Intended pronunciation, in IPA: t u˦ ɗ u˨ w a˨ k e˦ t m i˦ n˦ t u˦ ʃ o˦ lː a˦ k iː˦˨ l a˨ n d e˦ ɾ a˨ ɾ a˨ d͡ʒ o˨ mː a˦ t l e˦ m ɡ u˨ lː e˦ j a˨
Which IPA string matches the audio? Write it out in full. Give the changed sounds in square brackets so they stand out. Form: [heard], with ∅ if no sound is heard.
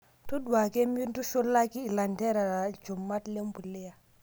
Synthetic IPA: t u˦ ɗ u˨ w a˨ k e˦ [∅] m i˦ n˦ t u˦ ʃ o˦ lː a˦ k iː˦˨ l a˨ n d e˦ ɾ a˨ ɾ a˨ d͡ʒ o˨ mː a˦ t l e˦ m [b] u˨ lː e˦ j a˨